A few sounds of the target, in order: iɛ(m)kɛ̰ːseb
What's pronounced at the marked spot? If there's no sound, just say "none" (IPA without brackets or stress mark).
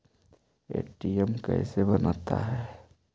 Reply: m